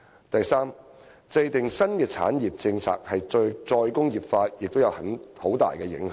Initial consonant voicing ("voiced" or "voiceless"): voiceless